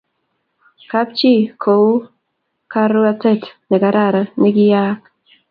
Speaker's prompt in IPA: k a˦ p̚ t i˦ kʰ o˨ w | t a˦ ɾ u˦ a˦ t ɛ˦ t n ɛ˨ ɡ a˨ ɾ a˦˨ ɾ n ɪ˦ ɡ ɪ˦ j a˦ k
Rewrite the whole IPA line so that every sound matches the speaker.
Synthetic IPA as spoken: k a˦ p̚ t͡ʃ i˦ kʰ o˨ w | k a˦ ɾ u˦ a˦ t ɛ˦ t n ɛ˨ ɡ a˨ ɾ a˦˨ ɾ n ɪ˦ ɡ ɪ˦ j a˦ k